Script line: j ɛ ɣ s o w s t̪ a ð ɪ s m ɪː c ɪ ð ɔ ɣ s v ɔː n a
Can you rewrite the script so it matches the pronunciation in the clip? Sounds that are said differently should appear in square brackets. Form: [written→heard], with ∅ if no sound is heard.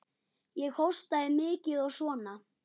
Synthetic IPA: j ɛ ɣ [s→h] o w s t̪ a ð ɪ [s→∅] m ɪː c ɪ ð ɔ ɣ s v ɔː n a